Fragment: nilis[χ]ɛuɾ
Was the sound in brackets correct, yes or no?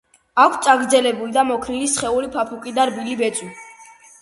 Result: yes